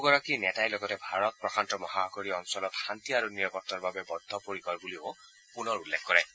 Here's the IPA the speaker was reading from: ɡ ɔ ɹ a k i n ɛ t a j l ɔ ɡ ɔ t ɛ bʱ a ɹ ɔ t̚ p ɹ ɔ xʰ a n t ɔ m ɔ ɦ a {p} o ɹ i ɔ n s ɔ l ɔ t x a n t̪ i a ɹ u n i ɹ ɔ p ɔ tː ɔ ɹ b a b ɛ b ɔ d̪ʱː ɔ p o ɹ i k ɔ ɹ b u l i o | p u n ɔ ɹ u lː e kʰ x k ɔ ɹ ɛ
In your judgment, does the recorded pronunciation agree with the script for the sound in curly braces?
no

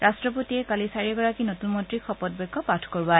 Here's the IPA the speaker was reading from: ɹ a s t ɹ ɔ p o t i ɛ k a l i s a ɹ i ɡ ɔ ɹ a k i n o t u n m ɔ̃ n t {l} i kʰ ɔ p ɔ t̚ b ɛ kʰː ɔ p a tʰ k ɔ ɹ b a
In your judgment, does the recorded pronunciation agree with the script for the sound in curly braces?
no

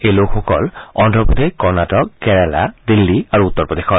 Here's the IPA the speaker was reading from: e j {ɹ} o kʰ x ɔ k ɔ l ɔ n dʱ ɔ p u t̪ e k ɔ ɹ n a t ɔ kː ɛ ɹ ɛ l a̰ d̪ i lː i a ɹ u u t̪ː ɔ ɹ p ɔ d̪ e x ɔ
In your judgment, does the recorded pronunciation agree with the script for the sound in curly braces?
no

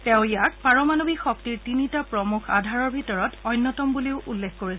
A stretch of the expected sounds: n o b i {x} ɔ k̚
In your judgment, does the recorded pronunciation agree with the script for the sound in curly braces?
yes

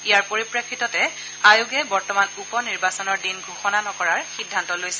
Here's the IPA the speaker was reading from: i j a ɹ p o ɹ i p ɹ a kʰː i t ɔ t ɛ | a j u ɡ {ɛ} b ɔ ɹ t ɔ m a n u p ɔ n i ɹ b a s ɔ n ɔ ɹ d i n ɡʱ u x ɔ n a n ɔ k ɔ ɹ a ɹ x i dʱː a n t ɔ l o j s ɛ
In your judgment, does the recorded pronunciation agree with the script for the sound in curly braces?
yes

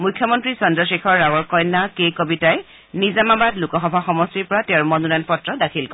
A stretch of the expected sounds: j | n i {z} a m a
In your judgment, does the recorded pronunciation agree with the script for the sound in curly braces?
yes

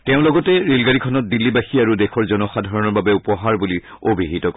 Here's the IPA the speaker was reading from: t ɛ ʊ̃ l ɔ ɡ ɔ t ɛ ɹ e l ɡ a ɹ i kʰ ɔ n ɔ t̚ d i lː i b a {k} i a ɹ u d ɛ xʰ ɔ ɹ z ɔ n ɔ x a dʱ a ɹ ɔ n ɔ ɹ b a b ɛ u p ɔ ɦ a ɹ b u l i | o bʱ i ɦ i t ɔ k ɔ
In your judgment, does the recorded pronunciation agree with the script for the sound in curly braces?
no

